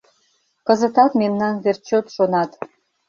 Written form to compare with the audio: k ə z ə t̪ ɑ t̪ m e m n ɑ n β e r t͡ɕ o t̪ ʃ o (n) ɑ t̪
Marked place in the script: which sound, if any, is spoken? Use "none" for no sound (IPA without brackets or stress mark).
n